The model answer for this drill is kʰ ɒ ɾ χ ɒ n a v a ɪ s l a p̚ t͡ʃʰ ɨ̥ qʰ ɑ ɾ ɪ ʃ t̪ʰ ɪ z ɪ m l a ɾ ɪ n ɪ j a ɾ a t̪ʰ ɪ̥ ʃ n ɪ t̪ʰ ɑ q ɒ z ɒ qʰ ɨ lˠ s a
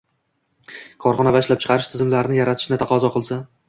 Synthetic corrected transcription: kʰ ɒ ɾ χ ɒ n a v a ɪ ʃ l a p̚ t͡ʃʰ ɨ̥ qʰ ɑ ɾ ɪ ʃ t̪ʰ ɪ z ɪ m l a ɾ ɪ n ɪ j a ɾ a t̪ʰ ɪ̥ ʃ n ɪ t̪ʰ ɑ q ɒ z ɒ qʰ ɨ lˠ s a